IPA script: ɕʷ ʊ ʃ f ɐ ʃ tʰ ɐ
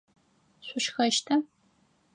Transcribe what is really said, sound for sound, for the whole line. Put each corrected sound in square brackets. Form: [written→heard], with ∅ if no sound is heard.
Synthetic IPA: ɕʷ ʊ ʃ [f→x] ɐ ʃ tʰ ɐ